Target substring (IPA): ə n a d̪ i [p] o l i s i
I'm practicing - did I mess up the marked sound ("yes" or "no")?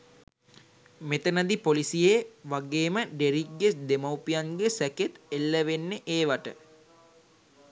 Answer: no